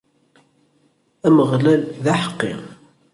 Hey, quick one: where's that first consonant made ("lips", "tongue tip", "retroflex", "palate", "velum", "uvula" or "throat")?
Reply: lips